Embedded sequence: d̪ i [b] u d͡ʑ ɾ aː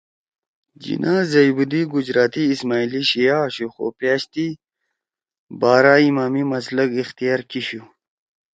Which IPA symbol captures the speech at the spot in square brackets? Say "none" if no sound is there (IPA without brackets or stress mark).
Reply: ɡ